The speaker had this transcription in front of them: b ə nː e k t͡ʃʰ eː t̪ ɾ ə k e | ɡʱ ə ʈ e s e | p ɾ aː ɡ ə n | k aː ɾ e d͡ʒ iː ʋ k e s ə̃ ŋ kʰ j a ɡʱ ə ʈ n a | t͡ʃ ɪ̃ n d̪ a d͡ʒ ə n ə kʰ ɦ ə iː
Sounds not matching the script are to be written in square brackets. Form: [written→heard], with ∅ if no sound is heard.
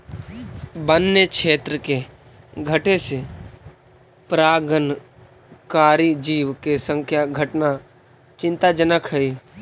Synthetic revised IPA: b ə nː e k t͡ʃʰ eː t̪ ɾ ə k e | ɡʱ ə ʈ e s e | p ɾ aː ɡ ə n | k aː ɾ [e→i] d͡ʒ iː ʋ k e s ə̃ ŋ kʰ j a ɡʱ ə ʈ n a | t͡ʃ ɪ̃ n [d̪→t̪] a d͡ʒ ə n ə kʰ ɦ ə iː